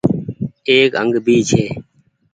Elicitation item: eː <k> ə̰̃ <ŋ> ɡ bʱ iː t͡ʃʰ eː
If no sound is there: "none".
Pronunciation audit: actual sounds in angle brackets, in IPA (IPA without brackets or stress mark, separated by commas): k, ŋ